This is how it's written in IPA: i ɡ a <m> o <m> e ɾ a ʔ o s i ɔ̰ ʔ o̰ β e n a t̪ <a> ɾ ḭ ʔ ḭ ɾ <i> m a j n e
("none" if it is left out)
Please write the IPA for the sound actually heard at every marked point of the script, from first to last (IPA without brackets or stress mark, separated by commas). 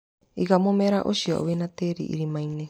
m, m, e, i